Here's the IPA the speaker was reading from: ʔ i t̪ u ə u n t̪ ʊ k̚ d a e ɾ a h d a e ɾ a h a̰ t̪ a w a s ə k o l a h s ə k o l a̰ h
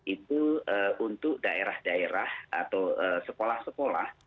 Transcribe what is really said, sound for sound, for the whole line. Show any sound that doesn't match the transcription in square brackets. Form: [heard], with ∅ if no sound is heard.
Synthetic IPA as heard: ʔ i t̪ u ə u n t̪ ʊ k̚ d a e ɾ a h d a e ɾ a h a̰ t̪ a w [ə] s ə k o l a h s ə k o l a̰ h